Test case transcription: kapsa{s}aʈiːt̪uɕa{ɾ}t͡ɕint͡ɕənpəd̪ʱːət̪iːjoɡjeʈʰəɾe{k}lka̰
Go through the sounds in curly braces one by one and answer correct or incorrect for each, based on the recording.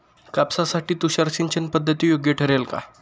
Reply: correct, correct, incorrect

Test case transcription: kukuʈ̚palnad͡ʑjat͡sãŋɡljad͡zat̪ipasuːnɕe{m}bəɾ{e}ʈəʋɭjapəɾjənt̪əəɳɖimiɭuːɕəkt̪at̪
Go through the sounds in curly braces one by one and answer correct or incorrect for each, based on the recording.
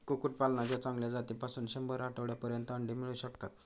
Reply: correct, incorrect

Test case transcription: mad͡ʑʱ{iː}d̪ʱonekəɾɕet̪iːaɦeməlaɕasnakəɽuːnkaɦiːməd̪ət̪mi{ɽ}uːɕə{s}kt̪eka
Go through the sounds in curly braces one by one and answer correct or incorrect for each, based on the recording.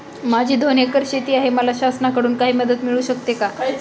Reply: correct, incorrect, incorrect

